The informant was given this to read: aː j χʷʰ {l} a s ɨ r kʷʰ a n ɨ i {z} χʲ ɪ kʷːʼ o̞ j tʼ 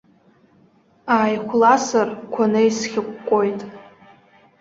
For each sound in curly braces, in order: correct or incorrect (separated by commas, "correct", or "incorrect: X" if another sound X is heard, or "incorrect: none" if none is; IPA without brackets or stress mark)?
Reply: correct, incorrect: s